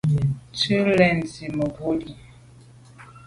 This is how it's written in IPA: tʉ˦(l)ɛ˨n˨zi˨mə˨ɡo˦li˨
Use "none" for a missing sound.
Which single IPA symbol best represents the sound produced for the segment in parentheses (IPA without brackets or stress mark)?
l